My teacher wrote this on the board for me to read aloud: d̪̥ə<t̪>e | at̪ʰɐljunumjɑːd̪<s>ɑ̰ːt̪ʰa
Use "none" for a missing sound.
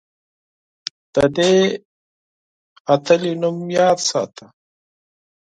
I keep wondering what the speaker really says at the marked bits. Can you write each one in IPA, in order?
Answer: d̪, s

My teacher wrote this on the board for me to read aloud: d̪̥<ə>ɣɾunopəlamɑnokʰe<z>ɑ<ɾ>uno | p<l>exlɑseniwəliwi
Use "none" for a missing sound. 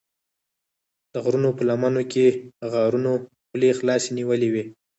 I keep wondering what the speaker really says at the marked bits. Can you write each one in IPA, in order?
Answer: ə, ɣ, ɾ, l

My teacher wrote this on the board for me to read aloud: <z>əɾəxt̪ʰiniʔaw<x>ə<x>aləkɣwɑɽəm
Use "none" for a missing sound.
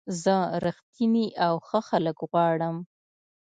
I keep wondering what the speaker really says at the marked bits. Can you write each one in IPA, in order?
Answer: z, x, x

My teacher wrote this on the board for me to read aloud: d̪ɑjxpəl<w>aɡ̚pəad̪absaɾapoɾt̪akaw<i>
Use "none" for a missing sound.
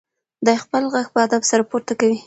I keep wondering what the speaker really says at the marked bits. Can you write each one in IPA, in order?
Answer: ɣ, i

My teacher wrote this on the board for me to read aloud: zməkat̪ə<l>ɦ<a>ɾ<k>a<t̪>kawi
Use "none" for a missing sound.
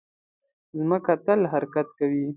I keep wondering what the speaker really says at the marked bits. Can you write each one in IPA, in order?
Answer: l, a, k, t̪

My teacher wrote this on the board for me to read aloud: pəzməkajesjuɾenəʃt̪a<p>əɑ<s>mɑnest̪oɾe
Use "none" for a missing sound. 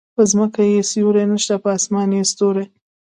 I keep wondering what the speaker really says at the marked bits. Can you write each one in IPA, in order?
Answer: p, s

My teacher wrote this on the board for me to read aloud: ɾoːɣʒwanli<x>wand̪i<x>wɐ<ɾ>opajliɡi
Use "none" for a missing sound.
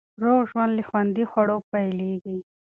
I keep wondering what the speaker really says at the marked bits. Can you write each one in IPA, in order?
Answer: x, x, ɽ

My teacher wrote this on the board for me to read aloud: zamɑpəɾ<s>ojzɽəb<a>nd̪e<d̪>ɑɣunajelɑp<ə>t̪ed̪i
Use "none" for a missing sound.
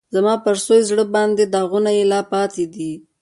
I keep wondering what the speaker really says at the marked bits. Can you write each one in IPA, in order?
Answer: s, ɑ, d̪, ɑ

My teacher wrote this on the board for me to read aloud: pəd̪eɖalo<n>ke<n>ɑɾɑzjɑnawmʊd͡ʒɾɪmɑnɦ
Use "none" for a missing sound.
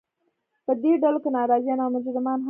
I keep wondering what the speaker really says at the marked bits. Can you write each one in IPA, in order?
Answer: none, n

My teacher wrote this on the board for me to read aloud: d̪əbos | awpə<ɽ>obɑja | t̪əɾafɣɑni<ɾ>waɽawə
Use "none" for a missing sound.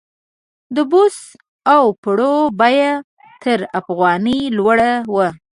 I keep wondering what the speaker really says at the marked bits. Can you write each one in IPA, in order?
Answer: ɽ, l

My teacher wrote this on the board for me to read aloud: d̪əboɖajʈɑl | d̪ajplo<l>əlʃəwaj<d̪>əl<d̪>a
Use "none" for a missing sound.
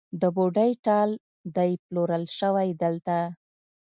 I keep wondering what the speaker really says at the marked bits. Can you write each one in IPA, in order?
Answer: ɾ, d̪, t̪

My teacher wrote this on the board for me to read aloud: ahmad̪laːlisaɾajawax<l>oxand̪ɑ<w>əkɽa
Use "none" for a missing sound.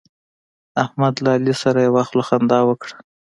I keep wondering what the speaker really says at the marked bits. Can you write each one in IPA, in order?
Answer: l, w

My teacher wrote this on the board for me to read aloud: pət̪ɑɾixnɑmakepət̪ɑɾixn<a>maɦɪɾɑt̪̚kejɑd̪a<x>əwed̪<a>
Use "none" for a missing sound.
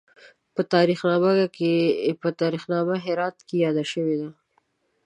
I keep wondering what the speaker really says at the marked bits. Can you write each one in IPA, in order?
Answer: ɑ, ʃ, a

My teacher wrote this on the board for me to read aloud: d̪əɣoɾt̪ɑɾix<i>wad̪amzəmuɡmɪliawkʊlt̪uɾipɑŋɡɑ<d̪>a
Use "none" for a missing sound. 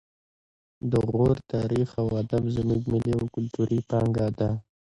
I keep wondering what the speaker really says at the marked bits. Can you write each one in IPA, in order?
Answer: a, d̪

